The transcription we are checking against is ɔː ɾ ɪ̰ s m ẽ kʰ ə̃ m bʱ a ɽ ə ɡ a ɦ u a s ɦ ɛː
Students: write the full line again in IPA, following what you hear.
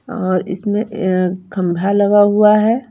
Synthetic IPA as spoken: ɔː ɾ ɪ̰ s m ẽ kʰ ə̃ m bʱ a l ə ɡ a ɦ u a ɦ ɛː